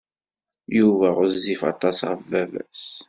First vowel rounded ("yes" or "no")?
yes